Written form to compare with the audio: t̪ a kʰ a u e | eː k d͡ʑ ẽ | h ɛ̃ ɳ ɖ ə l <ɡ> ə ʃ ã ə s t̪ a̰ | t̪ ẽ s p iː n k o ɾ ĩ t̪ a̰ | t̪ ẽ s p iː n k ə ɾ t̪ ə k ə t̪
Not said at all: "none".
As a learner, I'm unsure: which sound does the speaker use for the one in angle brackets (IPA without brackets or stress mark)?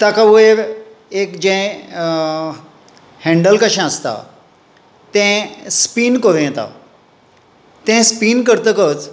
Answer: k